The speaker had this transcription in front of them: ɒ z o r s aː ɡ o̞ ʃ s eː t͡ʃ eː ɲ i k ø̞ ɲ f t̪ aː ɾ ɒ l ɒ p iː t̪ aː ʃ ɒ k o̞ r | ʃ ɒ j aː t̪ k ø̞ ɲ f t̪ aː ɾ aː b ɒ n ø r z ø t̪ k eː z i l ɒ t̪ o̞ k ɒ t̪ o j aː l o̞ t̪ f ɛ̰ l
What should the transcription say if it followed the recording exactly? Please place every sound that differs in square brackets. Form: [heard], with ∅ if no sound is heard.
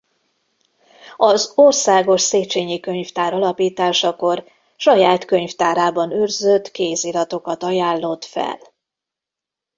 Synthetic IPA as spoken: ɒ z o r s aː ɡ o̞ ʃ s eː t͡ʃ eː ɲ i k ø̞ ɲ f t̪ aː ɾ ɒ l ɒ p iː t̪ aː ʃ ɒ k o̞ r | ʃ ɒ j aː t̪ k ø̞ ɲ f t̪ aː ɾ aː b ɒ n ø r z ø t̪ k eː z i l ɒ t̪ o̞ k ɒ t̪ [ɒ] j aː [lː] o̞ t̪ f ɛ̰ l